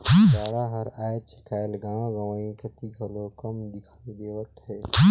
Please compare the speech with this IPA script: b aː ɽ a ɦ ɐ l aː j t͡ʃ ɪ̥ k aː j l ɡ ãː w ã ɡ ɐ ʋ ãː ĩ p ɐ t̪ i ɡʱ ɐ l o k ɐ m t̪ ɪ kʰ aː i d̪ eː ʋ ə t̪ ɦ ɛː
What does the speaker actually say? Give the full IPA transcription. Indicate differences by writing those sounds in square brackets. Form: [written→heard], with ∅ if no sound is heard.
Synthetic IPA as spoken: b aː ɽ a ɦ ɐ [l→ɾ] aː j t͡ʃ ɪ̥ k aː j l ɡ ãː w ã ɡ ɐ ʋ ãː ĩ [p→k] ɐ t̪ i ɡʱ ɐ l o k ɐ m [t̪→d̪] ɪ kʰ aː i d̪ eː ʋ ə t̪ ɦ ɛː